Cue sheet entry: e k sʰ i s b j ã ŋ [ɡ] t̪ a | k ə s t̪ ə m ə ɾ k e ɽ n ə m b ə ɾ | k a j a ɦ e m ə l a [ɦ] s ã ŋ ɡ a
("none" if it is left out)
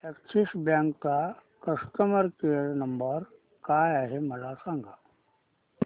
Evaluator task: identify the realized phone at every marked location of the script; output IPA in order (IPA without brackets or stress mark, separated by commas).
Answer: k, none